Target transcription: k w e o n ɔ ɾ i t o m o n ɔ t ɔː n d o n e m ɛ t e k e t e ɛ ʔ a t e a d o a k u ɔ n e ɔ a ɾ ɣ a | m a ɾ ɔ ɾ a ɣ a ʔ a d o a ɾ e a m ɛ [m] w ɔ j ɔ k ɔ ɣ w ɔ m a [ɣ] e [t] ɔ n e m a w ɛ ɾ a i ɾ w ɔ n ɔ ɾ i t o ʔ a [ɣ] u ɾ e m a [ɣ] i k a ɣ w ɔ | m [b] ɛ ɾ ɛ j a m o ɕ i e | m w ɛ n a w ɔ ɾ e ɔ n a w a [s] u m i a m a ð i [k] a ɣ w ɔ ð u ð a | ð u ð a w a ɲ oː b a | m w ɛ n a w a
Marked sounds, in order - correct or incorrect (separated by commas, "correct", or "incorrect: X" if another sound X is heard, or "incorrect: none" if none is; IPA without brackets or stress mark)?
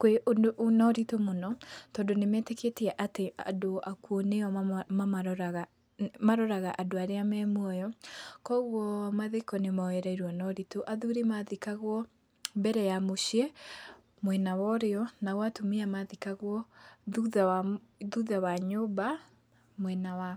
correct, incorrect: ð, incorrect: k, incorrect: ð, incorrect: ð, correct, incorrect: t, correct